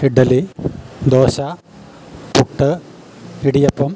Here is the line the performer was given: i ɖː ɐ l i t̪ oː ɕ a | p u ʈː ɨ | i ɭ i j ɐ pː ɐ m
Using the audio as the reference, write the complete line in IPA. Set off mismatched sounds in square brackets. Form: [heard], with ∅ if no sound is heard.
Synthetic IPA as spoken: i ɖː ɐ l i [d̪] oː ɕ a | p u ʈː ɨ | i [ɽ] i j ɐ pː ɐ m